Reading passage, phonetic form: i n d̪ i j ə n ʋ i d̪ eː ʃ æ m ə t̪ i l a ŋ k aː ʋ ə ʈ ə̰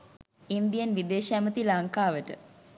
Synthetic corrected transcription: i n d̪ i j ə n ʋ i d̪ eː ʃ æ m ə t̪ i l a ŋ k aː ʋ ə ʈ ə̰